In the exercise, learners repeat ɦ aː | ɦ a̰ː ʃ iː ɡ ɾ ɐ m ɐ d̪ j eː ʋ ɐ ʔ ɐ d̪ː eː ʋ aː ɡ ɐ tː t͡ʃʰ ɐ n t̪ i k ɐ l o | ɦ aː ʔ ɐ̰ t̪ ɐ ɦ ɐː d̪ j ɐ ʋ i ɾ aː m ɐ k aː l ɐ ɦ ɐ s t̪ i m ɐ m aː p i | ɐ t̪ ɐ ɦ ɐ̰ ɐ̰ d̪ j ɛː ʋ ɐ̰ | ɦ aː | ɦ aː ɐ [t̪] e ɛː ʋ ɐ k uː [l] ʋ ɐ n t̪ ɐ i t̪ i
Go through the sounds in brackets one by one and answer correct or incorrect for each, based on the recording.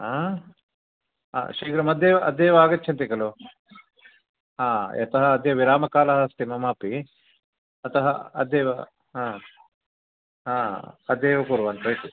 incorrect: d̪, incorrect: ɾ

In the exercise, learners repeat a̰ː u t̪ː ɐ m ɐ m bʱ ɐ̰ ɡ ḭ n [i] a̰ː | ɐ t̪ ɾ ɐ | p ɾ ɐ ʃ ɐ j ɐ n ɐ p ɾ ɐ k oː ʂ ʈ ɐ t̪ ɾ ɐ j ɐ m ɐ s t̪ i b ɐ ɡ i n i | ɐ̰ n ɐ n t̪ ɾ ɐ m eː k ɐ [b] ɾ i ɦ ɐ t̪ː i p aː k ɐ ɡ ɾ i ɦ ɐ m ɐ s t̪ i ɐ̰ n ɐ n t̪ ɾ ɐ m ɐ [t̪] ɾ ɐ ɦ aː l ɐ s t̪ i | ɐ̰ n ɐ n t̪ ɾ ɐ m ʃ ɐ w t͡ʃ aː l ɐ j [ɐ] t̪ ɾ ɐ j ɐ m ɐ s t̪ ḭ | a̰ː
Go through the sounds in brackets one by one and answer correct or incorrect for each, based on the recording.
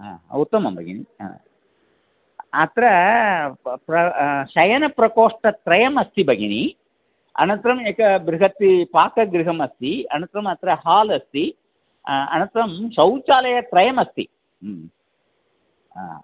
correct, correct, correct, correct

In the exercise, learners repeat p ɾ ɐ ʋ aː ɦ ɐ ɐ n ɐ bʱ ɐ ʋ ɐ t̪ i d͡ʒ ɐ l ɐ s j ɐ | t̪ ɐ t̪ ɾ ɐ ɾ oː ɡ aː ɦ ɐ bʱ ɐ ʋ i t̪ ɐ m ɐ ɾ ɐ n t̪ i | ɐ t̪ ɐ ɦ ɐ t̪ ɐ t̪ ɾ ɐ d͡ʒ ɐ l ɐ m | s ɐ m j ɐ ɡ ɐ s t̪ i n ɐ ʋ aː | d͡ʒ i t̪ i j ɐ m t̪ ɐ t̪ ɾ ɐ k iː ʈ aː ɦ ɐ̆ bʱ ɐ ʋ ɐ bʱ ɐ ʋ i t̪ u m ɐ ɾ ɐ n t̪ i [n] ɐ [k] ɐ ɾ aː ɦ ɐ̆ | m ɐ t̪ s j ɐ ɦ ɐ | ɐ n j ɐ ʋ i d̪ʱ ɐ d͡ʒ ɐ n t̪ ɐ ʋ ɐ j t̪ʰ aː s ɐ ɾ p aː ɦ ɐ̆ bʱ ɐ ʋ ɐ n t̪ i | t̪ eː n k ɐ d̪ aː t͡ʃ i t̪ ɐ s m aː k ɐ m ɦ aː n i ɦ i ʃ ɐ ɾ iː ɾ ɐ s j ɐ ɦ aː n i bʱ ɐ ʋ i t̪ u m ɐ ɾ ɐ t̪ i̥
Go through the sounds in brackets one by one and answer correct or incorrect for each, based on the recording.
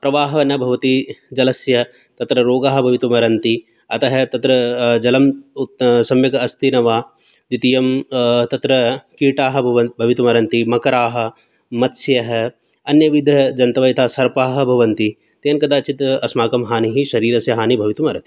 incorrect: m, correct

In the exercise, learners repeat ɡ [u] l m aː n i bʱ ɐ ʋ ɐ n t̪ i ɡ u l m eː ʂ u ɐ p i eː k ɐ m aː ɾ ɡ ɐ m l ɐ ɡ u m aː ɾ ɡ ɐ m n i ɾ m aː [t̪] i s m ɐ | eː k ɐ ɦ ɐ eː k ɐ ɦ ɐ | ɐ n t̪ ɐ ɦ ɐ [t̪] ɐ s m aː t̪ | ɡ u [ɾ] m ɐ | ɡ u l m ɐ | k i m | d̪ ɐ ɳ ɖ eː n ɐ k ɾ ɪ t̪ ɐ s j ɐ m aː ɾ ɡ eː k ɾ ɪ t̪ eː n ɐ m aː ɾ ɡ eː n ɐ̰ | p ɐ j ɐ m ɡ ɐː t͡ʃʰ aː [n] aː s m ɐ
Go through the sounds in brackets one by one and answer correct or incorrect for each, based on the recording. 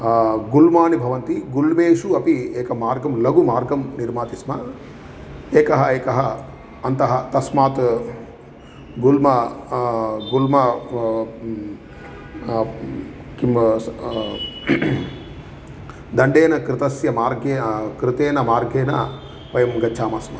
correct, correct, correct, incorrect: l, incorrect: m

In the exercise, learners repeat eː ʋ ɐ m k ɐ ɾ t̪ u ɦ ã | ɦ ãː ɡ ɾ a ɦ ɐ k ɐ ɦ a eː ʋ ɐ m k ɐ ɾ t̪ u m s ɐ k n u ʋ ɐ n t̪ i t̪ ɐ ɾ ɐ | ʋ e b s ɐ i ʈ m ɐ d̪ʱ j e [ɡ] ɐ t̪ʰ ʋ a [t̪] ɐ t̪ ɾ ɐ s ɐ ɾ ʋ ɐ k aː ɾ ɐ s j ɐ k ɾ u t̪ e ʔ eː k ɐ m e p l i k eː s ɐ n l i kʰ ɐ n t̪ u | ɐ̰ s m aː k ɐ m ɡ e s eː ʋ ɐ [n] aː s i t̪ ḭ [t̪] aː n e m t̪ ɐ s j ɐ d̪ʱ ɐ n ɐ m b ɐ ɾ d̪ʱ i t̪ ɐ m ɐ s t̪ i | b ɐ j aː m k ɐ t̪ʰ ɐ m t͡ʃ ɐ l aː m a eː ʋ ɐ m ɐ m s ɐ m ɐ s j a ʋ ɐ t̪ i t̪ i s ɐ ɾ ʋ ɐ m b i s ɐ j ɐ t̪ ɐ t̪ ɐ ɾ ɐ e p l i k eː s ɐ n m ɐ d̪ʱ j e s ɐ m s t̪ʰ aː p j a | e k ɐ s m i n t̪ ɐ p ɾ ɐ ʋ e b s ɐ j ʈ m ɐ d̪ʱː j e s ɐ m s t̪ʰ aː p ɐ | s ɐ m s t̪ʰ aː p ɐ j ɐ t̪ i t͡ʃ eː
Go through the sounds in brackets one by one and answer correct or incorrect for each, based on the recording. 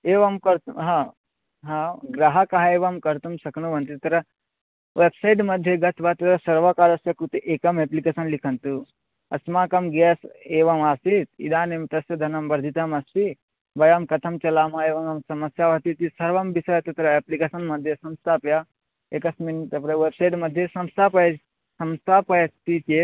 correct, correct, incorrect: m, incorrect: d̪

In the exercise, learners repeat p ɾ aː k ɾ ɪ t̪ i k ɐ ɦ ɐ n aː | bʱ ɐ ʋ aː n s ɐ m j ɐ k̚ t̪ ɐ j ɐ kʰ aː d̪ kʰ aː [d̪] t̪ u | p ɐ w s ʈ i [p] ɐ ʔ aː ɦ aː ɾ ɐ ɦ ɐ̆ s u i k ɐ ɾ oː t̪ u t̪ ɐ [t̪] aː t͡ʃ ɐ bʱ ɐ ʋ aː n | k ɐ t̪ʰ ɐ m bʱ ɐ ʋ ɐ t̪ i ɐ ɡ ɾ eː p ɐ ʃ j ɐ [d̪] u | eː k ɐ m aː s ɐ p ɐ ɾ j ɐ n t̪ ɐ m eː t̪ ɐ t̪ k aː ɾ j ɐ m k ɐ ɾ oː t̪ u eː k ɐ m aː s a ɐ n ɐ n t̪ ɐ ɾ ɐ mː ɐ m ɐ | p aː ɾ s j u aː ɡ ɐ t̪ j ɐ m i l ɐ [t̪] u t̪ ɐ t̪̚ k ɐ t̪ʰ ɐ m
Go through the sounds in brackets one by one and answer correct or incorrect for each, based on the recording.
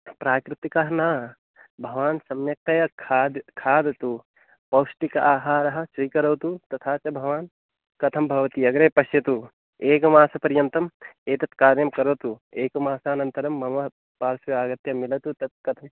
correct, incorrect: k, incorrect: t̪ʰ, incorrect: t̪, correct

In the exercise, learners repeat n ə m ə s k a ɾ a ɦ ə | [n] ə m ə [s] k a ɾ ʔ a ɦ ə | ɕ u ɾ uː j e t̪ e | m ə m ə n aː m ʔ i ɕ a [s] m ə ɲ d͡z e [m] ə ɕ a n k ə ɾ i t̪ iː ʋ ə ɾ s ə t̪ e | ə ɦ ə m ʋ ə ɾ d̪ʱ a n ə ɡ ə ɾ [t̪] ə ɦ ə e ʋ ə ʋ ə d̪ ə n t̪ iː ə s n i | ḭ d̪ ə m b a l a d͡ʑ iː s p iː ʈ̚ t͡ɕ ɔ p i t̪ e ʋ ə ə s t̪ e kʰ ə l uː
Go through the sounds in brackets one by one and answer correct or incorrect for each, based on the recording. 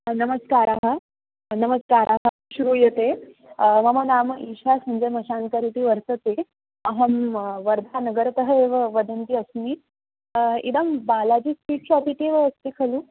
correct, correct, correct, correct, correct

